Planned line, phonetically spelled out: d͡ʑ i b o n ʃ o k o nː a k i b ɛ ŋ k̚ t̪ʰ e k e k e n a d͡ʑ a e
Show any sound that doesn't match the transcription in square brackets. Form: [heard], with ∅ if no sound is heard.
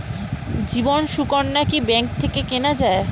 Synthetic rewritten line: d͡ʑ i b o n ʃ [u] k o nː a k i b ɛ ŋ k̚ t̪ʰ e k e k e n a d͡ʑ a e